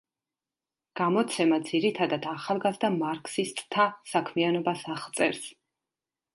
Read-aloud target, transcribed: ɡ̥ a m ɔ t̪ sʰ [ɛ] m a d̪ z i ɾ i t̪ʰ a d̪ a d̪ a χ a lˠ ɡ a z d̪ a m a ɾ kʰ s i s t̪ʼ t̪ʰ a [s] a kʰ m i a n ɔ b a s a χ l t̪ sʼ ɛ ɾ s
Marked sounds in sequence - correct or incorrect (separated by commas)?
correct, correct